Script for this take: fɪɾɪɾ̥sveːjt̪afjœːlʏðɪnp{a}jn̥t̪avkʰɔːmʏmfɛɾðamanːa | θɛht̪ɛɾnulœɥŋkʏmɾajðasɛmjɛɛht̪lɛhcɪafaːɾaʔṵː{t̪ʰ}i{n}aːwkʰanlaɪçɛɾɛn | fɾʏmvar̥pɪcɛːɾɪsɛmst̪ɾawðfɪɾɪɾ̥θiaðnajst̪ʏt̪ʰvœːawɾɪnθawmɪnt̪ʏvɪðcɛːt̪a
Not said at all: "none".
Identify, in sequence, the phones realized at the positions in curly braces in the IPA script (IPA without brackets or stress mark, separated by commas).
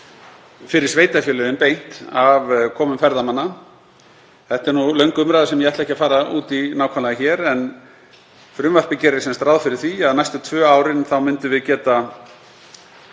e, t̪, n